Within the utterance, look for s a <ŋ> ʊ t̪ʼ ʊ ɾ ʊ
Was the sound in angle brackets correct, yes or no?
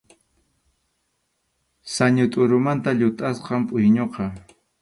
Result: no